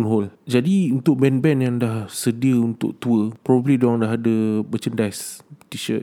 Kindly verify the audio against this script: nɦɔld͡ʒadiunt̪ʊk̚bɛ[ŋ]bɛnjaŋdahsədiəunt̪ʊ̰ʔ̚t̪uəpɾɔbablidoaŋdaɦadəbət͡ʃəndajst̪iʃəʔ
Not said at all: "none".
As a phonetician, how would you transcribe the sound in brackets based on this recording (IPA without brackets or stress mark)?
n